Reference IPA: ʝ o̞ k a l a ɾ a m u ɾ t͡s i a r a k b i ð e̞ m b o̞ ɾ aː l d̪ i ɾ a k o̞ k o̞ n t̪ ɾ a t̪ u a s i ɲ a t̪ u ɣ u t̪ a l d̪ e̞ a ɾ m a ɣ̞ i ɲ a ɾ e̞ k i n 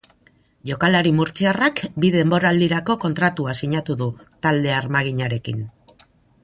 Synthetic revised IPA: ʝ o̞ k a l a ɾ i m u ɾ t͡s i a r a k b i ð e̞ m b o̞ ɾ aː l d̪ i ɾ a k o̞ k o̞ n t̪ ɾ a t̪ u a s i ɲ a t̪ u ð u t̪ a l d̪ e̞ a ɾ m a ɣ̞ i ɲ a ɾ e̞ k i n

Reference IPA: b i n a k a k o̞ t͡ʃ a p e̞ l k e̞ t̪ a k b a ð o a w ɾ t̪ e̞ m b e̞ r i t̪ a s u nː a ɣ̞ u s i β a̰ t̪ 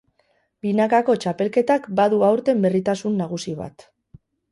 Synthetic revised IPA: b i n a k a k o̞ t͡ʃ a p e̞ l k e̞ t̪ a k b a ð u a w ɾ t̪ e̞ m b e̞ r i t̪ a s u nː a ɣ̞ u s i β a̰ t̪

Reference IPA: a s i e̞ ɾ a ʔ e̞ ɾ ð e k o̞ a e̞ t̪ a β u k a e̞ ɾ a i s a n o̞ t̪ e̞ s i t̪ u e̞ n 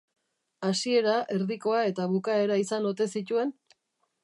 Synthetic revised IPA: a s i e̞ ɾ a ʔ e̞ ɾ ð i k o̞ a e̞ t̪ a β u k a e̞ ɾ a i s a n o̞ t̪ e̞ s i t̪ u e̞ n

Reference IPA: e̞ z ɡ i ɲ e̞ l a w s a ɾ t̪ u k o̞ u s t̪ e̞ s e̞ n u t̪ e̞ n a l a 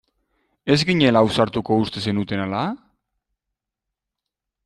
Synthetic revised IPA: e̞ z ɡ i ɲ e̞ l a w s a ɾ t̪ u k o̞ u s t̪ e̞ s e̞ n u t̪ e̞ n a l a

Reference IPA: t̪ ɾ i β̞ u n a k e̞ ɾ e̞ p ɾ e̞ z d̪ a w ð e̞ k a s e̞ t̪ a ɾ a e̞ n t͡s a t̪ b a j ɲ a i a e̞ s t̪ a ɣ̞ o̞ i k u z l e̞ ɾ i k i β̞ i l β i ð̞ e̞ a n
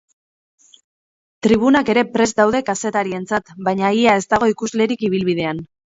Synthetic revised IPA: t̪ ɾ i β̞ u n a k e̞ ɾ e̞ p ɾ e̞ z d̪ a w ð e̞ k a s e̞ t̪ a ɾ i e̞ n t͡s a t̪ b a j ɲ a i a e̞ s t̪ a ɣ̞ o̞ i k u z l e̞ ɾ i k i β̞ i l β i ð̞ e̞ a n

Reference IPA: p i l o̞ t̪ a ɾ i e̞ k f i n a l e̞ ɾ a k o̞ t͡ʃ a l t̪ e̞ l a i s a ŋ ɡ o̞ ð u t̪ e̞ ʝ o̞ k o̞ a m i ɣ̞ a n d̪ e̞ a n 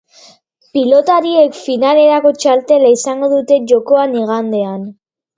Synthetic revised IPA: p i l o̞ t̪ a ɾ i e̞ k f i n a l e̞ ɾ a k o̞ t͡ʃ a l t̪ e̞ l a i s a ŋ ɡ o̞ ð u t̪ e̞ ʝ o̞ k o̞ a n i ɣ̞ a n d̪ e̞ a n

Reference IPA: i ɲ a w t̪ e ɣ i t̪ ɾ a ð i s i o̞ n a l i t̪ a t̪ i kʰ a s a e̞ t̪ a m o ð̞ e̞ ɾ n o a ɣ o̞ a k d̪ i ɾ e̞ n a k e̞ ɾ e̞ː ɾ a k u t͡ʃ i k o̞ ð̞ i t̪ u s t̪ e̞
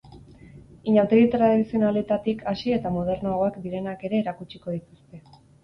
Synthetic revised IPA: i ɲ a w t̪ e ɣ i t̪ ɾ a ð i s i o̞ n a l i t̪ a t̪ i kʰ a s i e̞ t̪ a m o ð̞ e̞ ɾ n o a ɣ o̞ a k d̪ i ɾ e̞ n a k e̞ ɾ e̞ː ɾ a k u t͡ʃ i k o̞ ð̞ i t̪ u s t̪ e̞

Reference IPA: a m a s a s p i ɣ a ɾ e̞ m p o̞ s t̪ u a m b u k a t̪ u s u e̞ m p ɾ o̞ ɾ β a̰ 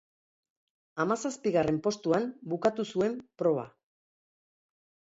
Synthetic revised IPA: a m a s a s p i ɣ a r e̞ m p o̞ s t̪ u a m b u k a t̪ u s u e̞ m p ɾ o̞ β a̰

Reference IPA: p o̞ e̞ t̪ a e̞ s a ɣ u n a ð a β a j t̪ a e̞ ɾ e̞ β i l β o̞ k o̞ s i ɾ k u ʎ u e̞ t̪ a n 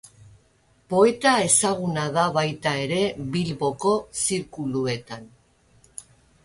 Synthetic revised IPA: p o̞ e̞ t̪ a e̞ s a ɣ u n a ð a β a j t̪ a e̞ ɾ e̞ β i l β o̞ k o̞ s i ɾ k u l u e̞ t̪ a n

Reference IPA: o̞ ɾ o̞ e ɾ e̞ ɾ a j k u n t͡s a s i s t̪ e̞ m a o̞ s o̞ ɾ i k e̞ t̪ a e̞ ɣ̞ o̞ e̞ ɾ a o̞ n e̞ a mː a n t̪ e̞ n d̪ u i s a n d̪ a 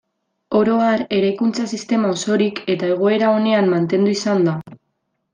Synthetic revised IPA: o̞ ɾ o̞ a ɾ e̞ ɾ a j k u n t͡s a s i s t̪ e̞ m a o̞ s o̞ ɾ i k e̞ t̪ a e̞ ɣ̞ o̞ e̞ ɾ a o̞ n e̞ a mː a n t̪ e̞ n d̪ u i s a n d̪ a

